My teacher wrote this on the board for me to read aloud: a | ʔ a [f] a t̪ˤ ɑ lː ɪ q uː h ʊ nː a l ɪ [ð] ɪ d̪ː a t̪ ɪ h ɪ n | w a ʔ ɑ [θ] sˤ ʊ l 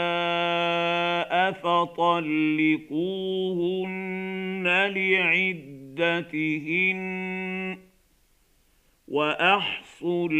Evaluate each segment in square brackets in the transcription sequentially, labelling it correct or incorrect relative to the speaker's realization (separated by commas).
correct, incorrect, incorrect